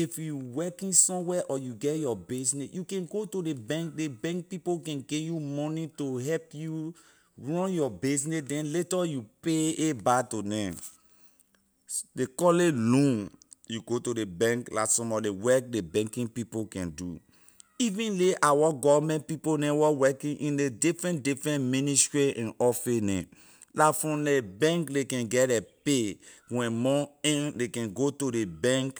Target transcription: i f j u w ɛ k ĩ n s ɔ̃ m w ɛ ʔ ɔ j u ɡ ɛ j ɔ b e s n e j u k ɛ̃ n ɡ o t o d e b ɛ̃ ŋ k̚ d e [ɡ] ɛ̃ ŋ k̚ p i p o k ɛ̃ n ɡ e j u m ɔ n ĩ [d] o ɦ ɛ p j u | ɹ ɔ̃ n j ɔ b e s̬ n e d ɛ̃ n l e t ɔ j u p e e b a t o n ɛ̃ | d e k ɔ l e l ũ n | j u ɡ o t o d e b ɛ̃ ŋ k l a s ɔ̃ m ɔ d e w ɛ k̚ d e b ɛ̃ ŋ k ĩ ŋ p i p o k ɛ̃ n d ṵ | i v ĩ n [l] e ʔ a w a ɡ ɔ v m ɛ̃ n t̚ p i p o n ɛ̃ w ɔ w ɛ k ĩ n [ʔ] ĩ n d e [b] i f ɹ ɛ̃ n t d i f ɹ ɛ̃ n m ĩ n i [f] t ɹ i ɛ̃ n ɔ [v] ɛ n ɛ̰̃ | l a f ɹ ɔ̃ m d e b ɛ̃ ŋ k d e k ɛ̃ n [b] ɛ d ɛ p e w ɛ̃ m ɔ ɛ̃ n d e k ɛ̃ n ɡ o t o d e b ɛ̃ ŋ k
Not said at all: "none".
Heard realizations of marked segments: b, t, l, ʔ, d, s, f, ɡ

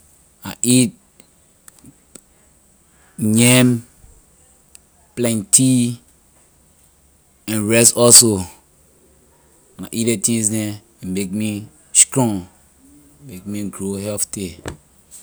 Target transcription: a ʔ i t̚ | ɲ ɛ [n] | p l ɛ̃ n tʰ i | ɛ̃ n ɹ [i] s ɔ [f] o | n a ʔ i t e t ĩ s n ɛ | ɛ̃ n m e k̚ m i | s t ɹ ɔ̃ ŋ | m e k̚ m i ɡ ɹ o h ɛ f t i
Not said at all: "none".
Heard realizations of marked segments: m, ɛ, s

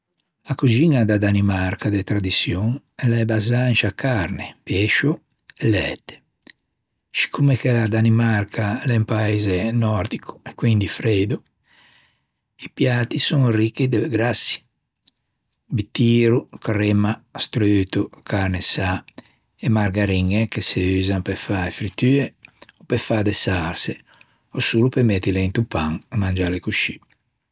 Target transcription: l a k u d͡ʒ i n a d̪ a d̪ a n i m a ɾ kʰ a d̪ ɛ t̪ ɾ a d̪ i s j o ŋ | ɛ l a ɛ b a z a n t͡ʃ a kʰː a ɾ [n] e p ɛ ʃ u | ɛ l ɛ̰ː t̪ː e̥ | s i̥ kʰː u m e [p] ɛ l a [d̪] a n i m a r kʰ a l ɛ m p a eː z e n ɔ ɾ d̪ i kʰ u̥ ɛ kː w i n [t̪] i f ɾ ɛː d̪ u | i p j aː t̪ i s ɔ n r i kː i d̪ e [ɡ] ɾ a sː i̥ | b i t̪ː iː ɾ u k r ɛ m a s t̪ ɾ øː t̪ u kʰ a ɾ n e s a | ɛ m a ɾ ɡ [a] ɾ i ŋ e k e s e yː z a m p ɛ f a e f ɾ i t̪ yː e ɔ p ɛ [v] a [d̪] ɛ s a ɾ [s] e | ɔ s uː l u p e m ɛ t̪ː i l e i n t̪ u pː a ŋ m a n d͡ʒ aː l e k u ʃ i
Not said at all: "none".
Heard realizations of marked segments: n, k, d̪, d̪, ɡ, a, f, d̪, s

